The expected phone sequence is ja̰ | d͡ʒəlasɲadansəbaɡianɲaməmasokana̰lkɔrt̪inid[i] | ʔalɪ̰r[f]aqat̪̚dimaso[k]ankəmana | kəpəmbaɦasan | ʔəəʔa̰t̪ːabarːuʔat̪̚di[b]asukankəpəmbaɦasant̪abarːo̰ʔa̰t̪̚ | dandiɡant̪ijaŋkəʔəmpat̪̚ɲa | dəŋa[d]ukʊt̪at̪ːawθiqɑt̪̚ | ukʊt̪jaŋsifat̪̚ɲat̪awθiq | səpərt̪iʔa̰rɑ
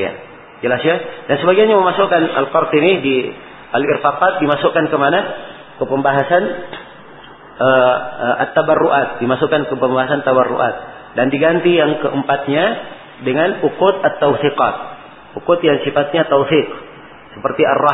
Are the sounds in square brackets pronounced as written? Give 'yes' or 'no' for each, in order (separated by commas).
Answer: yes, yes, yes, no, no